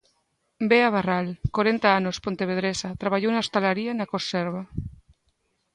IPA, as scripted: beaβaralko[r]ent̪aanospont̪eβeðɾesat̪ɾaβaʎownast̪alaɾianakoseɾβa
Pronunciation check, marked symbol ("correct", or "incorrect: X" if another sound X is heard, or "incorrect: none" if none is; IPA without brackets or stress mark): incorrect: ɾ